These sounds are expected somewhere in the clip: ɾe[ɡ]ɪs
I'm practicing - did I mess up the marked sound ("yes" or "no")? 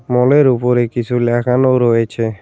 yes